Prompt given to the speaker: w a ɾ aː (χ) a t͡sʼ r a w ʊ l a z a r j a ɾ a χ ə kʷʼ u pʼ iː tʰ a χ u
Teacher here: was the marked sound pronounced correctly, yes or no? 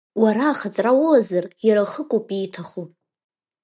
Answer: yes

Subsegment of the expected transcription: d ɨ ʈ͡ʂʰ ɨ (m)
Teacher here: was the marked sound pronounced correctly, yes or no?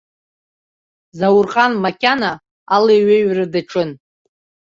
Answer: no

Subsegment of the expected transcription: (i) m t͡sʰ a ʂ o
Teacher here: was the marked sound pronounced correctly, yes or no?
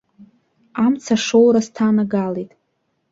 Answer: no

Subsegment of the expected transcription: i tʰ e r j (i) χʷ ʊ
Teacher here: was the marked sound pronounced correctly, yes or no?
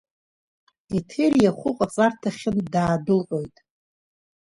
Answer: no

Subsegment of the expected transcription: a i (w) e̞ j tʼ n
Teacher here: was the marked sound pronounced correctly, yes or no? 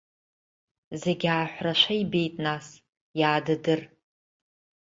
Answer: no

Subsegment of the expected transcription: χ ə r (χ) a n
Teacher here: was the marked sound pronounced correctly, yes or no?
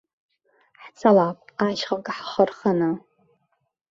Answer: yes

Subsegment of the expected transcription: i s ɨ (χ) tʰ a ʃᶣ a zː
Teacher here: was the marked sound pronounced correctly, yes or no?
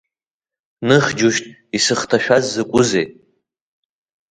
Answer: yes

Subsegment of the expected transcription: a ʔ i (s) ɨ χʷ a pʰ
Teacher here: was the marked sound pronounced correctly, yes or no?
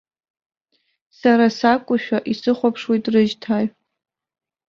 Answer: yes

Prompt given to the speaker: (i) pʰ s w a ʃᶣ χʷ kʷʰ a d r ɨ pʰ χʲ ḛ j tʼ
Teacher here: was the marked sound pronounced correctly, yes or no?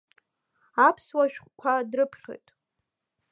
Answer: no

